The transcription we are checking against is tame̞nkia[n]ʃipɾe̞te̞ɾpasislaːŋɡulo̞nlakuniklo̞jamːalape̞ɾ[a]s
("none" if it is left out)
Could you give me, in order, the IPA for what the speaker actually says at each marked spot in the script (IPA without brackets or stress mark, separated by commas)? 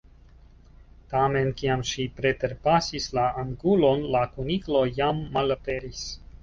m, i